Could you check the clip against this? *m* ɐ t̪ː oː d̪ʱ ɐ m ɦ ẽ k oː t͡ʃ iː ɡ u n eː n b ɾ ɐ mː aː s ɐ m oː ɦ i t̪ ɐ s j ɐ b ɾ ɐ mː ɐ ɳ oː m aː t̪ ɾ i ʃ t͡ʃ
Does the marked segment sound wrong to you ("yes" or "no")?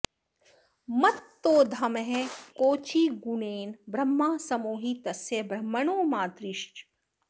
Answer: no